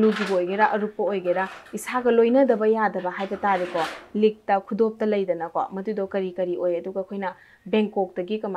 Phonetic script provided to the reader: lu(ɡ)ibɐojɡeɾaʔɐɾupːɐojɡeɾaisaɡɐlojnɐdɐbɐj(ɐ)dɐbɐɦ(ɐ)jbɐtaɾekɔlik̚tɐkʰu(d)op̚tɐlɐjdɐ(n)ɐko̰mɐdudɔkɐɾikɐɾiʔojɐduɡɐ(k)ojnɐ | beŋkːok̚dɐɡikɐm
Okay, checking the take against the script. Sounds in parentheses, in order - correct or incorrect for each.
correct, incorrect, incorrect, correct, correct, incorrect

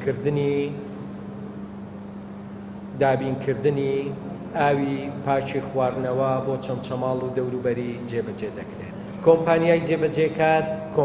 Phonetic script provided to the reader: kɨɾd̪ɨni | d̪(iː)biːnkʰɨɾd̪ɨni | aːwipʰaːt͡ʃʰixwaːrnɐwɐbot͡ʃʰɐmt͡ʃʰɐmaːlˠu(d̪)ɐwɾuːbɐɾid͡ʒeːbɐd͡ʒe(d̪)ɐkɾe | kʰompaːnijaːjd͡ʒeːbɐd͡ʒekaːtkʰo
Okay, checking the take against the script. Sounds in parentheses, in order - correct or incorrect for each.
incorrect, correct, correct

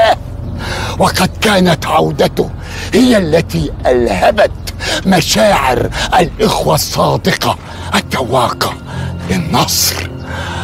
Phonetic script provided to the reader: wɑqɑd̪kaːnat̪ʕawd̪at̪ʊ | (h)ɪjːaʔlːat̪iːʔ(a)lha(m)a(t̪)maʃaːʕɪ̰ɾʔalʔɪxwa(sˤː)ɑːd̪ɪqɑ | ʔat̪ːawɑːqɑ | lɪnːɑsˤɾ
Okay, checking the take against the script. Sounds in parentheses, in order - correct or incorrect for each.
correct, correct, incorrect, correct, correct

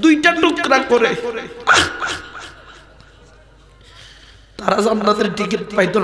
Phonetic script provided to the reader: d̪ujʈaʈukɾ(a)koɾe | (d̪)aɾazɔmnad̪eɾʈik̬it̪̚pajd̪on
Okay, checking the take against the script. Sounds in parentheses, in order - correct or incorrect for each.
correct, incorrect

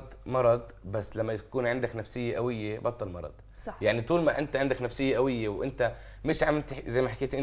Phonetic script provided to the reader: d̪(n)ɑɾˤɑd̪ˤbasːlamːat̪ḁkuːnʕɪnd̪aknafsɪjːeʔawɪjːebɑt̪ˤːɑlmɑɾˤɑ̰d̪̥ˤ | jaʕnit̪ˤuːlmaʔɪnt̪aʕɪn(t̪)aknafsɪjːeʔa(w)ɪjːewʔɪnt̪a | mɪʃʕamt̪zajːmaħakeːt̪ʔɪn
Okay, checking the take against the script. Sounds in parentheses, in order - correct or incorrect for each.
incorrect, incorrect, correct

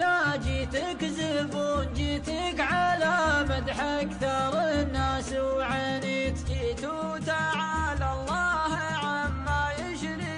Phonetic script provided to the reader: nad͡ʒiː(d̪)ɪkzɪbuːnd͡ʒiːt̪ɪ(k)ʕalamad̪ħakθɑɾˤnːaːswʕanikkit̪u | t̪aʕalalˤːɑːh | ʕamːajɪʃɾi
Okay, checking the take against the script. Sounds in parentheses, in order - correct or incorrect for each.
incorrect, correct

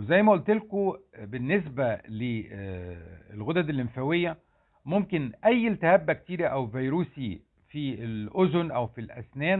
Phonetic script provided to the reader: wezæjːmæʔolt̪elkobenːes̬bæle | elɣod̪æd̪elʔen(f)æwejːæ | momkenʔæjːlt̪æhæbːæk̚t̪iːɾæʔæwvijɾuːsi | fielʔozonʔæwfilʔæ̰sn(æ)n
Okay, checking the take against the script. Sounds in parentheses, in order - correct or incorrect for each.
correct, incorrect

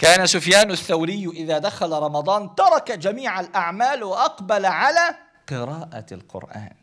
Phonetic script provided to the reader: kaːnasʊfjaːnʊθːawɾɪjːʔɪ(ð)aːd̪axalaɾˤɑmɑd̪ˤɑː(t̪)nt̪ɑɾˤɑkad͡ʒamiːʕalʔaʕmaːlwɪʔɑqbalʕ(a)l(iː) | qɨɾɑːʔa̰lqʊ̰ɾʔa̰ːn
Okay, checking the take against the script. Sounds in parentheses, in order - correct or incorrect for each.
correct, incorrect, correct, incorrect

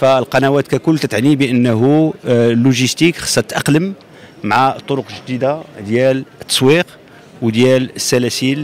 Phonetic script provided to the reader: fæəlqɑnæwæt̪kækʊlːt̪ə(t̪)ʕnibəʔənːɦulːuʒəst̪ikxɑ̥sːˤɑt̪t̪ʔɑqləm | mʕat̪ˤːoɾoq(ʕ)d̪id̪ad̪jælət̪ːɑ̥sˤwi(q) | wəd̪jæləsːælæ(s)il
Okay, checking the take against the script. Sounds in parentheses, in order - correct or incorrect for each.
correct, incorrect, correct, correct

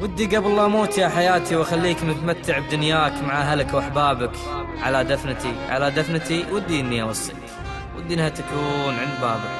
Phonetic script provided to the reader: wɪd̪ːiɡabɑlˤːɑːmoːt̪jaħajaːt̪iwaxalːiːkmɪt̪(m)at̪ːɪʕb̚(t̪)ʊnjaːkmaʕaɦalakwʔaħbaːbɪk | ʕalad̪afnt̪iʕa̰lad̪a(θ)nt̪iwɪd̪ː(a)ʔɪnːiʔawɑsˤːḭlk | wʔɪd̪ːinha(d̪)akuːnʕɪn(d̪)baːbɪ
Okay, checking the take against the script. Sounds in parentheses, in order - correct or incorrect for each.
correct, incorrect, incorrect, incorrect, incorrect, correct

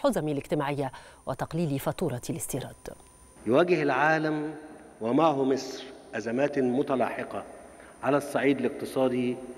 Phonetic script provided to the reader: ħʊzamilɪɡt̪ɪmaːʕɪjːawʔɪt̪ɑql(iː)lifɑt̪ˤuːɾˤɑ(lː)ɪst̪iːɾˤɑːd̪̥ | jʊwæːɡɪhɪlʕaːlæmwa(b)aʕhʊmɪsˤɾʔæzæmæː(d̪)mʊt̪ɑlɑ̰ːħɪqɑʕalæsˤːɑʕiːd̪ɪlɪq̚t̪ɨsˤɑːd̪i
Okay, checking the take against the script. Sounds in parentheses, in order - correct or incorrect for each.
correct, incorrect, incorrect, incorrect

